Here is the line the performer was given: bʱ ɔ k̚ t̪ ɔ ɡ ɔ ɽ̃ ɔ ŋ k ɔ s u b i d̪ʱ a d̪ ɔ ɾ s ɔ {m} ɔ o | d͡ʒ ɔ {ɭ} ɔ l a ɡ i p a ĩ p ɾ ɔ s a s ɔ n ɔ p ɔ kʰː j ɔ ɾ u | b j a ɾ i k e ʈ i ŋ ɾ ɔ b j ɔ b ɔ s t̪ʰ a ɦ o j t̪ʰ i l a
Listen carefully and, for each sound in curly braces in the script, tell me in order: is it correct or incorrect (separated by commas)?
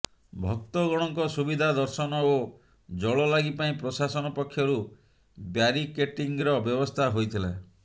incorrect, correct